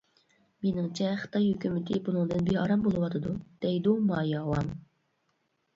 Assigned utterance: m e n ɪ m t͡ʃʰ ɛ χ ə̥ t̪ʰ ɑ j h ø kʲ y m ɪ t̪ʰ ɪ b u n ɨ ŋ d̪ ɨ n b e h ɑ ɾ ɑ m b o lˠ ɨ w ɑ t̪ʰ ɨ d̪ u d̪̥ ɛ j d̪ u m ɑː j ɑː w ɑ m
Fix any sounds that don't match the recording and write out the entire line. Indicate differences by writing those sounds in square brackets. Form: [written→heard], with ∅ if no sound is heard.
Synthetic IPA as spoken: m e n ɪ [m→ŋ] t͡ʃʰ ɛ χ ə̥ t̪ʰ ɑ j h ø kʲ y m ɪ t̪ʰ ɪ b u n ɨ ŋ d̪ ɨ n b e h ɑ ɾ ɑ m b o lˠ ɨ w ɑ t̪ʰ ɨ d̪ u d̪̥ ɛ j d̪ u m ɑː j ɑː w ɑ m